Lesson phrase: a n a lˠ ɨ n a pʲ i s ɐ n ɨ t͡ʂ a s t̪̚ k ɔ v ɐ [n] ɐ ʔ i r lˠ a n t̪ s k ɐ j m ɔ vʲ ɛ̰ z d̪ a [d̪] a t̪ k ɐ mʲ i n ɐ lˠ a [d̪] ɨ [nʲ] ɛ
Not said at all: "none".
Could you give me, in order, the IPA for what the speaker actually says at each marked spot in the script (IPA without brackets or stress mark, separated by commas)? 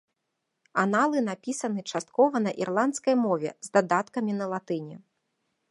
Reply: n, d̪, t̪, nʲ